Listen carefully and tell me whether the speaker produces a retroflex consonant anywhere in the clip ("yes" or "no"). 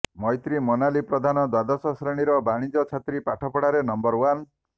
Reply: yes